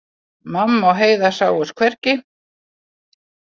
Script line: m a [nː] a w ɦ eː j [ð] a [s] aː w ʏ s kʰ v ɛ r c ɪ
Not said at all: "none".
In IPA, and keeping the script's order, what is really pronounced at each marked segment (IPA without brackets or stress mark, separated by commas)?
mː, ð, s